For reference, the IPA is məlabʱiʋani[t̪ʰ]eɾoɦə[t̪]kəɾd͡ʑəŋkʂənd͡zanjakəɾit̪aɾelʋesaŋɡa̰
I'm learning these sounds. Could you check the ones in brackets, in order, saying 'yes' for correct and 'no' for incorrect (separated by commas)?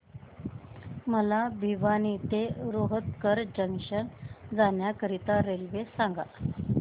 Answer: no, yes